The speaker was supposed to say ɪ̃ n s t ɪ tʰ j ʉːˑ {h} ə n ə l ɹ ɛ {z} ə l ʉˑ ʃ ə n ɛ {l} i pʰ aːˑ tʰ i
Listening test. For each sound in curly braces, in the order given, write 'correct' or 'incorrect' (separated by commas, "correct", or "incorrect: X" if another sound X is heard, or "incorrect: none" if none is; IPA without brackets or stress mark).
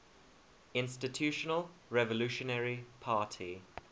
incorrect: ʃ, incorrect: v, incorrect: ɹ